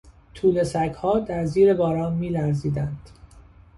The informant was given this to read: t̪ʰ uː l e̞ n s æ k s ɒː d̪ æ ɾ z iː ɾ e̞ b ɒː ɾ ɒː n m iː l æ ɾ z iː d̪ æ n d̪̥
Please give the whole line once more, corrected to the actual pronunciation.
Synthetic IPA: t̪ʰ uː l e̞ s æ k h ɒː d̪ æ ɾ z iː ɾ e̞ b ɒː ɾ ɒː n m iː l æ ɾ z iː d̪ æ n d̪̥